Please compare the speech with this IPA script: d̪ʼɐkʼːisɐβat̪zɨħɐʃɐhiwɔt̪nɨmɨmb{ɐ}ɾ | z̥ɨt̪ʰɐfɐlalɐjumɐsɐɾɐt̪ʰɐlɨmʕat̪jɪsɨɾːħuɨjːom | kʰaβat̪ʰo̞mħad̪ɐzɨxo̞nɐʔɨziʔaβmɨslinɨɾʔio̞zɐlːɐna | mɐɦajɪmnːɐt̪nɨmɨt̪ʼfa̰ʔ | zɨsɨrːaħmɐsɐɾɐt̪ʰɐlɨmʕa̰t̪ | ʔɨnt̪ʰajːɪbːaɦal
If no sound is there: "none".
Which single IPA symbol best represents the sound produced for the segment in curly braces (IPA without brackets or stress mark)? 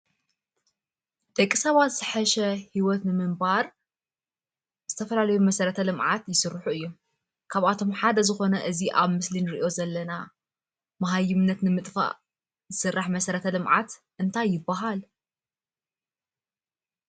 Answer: a